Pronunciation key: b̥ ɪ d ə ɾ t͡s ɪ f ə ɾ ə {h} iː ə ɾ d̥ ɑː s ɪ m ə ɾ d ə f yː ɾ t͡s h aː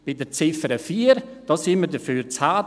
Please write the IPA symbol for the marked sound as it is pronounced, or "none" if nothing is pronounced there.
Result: f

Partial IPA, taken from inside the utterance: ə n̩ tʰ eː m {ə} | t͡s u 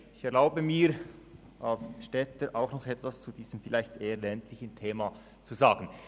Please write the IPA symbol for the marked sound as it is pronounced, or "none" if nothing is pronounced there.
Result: a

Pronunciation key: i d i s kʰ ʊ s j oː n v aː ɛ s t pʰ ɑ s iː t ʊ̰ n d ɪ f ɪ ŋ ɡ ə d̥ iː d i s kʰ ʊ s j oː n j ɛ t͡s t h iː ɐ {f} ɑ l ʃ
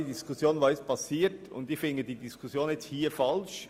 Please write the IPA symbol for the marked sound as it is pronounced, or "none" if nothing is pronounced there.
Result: f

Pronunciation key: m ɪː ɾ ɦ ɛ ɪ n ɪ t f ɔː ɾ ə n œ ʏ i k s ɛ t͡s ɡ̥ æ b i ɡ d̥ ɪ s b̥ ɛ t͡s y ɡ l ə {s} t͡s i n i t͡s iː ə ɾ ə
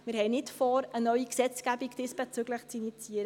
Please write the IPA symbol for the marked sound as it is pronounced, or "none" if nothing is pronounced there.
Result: χ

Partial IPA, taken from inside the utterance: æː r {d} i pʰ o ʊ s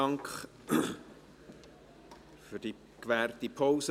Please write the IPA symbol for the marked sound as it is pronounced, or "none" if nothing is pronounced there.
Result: t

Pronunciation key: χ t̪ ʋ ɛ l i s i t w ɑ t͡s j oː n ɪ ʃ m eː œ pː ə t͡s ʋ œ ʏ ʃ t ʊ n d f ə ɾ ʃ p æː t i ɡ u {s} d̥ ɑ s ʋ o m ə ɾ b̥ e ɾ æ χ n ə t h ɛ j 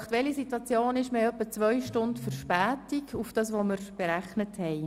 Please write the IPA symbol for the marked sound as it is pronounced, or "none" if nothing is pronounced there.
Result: f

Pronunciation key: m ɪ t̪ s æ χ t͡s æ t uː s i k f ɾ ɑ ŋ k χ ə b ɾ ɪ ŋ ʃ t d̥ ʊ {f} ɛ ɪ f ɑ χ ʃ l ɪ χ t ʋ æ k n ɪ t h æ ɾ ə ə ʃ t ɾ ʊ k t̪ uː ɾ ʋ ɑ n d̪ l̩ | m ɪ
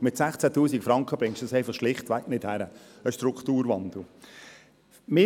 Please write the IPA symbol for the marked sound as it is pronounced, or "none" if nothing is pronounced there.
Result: s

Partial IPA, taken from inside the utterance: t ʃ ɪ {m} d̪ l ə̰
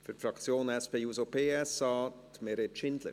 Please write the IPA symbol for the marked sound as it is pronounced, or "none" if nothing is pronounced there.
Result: n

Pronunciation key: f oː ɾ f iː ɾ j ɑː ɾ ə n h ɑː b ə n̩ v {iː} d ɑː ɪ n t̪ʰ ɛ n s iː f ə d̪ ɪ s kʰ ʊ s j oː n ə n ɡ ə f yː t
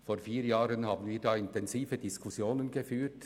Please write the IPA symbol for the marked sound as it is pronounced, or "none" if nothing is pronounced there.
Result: iː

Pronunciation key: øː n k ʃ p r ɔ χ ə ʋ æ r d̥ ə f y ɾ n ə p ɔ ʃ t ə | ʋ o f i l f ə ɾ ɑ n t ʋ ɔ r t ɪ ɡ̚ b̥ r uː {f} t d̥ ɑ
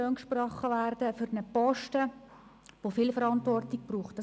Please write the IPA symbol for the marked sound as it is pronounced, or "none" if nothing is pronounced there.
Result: χ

